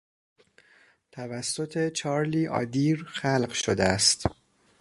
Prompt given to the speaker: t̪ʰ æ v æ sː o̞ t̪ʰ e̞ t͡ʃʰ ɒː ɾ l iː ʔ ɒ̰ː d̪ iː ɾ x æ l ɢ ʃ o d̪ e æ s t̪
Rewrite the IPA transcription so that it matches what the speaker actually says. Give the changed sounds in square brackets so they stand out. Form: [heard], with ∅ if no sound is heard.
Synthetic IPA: t̪ʰ æ v æ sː o̞ t̪ʰ e̞ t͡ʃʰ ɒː ɾ l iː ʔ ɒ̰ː d̪ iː ɾ x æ l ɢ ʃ o d̪ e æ s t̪